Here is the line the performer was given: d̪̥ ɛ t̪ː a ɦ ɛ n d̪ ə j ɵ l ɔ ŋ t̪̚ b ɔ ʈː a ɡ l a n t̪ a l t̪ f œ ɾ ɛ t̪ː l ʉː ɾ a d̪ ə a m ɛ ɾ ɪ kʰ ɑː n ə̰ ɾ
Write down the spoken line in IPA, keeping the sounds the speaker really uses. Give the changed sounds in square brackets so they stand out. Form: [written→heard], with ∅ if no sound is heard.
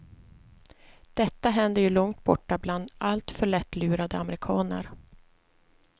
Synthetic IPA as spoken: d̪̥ ɛ t̪ː a ɦ ɛ n d̪ ə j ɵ l ɔ ŋ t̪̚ b ɔ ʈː a [ɡ→b] l a n [t̪→d̪] a l t̪ f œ [ɾ→ɭ] ɛ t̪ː l ʉː ɾ a d̪ ə a m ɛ ɾ ɪ kʰ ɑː n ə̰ ɾ